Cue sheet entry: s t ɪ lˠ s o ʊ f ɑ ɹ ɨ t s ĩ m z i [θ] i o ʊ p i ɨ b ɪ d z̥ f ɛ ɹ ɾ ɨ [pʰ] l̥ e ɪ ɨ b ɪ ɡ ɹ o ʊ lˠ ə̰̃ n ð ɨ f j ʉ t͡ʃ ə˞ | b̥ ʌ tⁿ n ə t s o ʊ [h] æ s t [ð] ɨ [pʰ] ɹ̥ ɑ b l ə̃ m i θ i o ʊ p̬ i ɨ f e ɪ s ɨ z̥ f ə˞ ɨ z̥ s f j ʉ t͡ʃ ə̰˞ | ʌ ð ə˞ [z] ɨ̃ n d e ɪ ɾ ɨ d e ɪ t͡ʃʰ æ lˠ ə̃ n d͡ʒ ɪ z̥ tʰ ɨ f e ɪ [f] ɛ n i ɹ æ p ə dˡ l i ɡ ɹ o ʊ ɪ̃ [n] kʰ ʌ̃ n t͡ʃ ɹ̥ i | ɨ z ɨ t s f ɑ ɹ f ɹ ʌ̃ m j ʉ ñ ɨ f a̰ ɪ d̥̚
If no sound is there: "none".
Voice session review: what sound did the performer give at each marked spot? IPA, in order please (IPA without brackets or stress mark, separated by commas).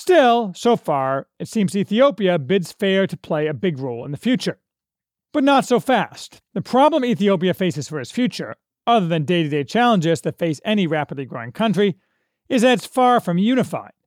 θ, pʰ, f, ð, pʰ, ð, s, ŋ